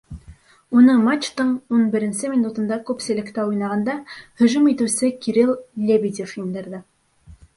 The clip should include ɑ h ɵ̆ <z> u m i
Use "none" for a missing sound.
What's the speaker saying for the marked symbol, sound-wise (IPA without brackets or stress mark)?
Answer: ʒ